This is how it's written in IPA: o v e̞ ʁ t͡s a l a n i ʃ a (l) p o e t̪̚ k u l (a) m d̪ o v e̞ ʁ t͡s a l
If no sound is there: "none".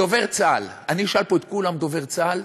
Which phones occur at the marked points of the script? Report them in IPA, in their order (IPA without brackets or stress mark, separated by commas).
l, a